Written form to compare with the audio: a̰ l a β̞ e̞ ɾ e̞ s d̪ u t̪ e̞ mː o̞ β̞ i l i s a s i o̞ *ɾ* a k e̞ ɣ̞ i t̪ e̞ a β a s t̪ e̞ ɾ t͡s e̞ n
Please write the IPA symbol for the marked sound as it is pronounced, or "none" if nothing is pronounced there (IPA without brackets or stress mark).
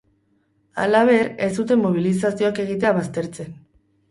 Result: none